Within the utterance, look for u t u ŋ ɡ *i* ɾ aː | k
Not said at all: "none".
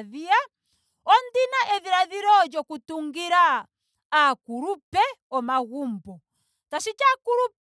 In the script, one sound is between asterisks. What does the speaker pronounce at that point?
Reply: i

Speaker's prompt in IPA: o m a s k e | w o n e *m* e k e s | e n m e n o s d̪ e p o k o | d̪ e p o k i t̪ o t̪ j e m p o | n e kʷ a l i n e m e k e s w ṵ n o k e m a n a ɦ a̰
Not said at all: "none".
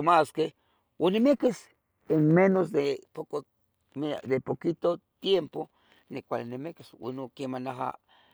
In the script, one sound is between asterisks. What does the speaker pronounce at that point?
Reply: m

